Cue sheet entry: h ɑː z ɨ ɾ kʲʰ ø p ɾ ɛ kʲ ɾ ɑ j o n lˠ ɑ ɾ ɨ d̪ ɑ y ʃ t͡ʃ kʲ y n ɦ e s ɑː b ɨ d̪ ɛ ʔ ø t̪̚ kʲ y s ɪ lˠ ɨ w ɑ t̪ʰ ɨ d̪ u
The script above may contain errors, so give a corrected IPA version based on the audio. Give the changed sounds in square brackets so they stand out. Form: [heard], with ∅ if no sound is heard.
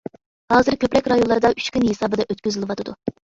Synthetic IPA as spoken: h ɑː z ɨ ɾ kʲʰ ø p ɾ ɛ kʲ ɾ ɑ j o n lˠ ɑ ɾ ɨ d̪ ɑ y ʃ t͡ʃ kʲ y n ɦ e s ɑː b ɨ d̪ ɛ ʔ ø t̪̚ kʲ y [z] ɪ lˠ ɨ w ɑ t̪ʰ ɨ d̪ u